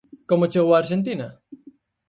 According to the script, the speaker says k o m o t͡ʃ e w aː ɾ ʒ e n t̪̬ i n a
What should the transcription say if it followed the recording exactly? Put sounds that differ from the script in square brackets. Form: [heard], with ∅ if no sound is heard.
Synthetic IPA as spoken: k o m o t͡ʃ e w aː ɾ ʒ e n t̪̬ i n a